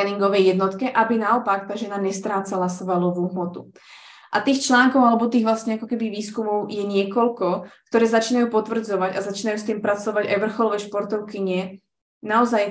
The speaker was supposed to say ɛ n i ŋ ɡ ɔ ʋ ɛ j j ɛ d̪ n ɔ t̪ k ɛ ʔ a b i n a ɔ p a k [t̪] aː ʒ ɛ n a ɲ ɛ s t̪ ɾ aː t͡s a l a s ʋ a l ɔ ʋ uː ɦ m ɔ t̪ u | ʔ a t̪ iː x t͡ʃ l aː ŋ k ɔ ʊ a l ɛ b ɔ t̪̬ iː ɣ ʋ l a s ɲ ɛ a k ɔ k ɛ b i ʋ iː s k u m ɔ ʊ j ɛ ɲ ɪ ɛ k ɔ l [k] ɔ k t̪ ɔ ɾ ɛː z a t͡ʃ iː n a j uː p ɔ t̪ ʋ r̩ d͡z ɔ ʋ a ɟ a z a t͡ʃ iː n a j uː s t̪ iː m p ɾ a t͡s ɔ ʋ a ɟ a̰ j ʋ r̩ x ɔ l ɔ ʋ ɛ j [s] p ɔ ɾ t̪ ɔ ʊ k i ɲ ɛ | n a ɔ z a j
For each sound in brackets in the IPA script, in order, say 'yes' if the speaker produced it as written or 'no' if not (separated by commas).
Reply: yes, yes, no